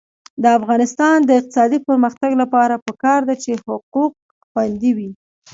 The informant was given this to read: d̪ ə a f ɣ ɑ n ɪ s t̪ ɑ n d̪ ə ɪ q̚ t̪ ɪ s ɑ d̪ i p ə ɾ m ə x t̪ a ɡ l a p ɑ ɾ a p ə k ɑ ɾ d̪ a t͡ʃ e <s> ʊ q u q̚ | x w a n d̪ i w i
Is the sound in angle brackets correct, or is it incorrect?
incorrect: h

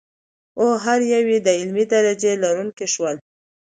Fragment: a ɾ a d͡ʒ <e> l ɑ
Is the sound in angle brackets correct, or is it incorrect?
correct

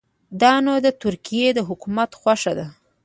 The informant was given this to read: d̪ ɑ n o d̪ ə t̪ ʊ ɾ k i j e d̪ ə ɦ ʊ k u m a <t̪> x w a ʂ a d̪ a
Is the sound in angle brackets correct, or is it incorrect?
correct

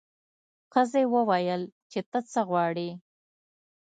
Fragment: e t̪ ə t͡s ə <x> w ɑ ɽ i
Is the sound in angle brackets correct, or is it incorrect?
incorrect: ɣ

